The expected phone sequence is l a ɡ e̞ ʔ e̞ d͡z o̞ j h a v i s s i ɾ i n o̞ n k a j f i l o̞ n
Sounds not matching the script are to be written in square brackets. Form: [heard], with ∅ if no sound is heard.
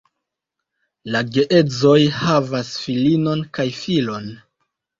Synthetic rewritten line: l a ɡ e̞ ʔ e̞ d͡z o̞ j h a v [a] s [f] i [l] i n o̞ n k a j f i l o̞ n